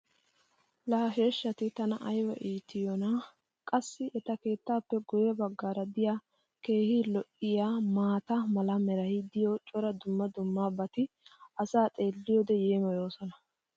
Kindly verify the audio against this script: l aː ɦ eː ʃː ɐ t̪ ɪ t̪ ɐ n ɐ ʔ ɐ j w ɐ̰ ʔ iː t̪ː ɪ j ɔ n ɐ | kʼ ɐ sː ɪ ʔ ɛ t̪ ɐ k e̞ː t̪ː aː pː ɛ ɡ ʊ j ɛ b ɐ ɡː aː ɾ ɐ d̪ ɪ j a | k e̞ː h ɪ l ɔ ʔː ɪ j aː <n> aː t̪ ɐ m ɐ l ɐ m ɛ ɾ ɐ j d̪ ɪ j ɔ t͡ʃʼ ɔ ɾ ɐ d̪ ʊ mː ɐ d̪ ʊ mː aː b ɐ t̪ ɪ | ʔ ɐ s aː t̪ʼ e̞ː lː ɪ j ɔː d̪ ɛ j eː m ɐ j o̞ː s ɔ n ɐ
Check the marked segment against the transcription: incorrect: m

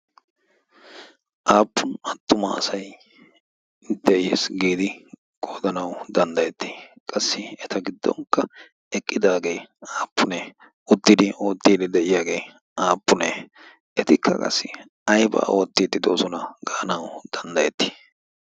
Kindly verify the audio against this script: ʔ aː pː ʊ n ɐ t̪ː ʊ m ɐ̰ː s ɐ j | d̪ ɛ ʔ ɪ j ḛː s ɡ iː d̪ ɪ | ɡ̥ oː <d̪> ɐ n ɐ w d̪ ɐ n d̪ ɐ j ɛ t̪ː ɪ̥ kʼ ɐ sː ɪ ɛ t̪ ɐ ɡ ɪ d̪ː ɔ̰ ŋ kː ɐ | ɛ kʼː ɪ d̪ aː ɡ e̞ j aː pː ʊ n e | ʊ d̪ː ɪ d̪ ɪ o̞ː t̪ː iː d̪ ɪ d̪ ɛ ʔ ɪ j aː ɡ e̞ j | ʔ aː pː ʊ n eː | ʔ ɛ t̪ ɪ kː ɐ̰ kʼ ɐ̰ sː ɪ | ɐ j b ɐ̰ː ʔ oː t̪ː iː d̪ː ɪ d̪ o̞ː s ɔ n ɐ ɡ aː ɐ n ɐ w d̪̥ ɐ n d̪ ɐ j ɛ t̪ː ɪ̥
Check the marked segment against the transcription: correct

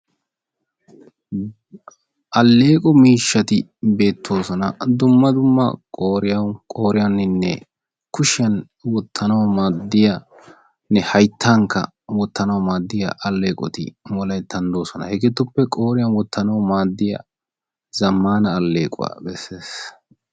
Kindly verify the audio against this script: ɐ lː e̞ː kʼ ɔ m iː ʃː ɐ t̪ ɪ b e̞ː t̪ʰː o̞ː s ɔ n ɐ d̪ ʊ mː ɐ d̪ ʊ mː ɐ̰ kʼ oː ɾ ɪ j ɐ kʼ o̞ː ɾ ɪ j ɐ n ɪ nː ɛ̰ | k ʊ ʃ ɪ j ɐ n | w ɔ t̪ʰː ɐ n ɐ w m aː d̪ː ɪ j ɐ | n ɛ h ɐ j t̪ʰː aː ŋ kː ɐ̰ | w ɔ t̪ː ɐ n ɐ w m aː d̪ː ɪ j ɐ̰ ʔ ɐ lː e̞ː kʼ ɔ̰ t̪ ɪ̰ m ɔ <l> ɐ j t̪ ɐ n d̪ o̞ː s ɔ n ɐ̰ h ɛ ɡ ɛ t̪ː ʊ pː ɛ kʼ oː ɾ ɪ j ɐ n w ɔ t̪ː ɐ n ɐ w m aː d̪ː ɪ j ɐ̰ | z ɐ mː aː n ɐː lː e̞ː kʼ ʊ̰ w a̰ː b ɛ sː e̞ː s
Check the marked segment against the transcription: correct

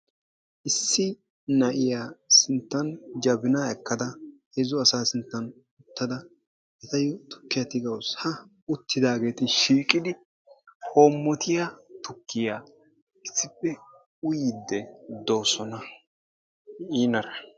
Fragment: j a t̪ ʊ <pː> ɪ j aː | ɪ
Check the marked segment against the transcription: incorrect: kː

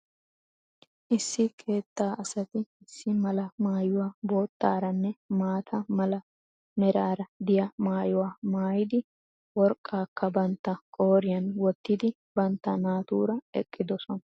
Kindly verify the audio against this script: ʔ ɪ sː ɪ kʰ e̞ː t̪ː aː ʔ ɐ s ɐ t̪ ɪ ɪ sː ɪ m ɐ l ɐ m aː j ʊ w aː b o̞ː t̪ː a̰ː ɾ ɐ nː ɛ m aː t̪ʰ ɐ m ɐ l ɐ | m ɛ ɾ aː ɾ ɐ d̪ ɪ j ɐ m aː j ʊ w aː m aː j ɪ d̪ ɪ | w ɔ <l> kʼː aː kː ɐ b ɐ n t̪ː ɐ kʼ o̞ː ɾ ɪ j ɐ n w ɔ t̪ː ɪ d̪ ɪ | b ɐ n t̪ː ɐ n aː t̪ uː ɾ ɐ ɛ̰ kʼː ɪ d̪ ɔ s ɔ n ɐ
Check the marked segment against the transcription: incorrect: ɾ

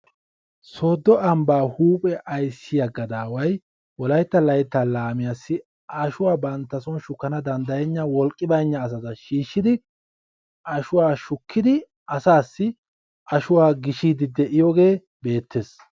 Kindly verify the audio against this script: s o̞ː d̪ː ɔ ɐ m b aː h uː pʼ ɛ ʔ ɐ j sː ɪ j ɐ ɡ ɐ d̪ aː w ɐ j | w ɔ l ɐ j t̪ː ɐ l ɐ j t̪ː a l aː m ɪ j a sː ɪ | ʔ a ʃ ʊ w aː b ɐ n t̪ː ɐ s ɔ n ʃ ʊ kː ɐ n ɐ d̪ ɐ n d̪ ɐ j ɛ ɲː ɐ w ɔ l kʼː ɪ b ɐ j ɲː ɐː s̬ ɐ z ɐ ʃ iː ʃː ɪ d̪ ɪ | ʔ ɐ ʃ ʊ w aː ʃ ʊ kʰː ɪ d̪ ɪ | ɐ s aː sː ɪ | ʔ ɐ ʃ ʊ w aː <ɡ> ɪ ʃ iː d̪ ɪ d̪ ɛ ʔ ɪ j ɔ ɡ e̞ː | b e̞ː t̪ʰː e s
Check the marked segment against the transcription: correct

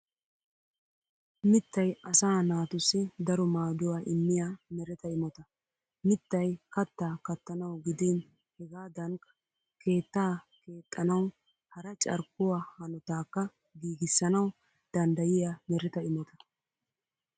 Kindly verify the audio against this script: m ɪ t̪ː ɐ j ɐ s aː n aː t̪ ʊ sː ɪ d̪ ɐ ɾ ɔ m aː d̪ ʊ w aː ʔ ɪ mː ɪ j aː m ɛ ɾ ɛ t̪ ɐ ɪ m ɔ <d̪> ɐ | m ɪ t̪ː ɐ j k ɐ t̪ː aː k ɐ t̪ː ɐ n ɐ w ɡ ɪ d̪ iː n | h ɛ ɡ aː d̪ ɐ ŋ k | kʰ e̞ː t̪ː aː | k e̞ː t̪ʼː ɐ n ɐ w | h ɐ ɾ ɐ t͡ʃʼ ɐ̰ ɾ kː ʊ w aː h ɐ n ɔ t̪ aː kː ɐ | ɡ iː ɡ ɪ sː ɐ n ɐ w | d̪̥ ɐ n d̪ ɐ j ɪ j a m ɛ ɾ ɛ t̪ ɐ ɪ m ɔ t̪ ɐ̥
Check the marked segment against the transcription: incorrect: t̪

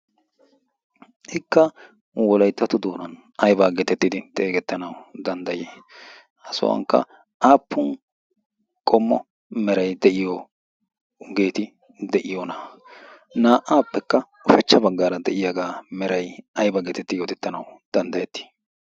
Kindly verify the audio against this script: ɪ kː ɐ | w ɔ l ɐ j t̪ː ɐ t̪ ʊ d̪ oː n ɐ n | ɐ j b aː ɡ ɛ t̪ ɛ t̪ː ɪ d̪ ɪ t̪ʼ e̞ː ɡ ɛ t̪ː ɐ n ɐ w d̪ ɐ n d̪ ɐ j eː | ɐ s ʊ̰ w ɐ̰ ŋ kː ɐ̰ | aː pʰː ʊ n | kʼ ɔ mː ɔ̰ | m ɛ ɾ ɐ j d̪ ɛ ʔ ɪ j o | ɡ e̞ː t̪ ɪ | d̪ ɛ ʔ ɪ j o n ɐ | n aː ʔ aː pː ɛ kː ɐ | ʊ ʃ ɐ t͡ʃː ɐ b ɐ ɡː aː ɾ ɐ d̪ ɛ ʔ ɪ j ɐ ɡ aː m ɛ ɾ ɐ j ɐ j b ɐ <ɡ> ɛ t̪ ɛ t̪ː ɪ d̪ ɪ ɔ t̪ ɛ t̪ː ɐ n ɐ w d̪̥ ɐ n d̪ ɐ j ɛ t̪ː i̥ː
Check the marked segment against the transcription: correct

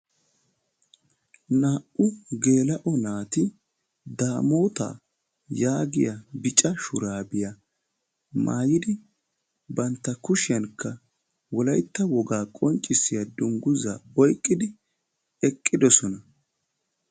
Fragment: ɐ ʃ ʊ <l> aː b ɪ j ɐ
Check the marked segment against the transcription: incorrect: ɾ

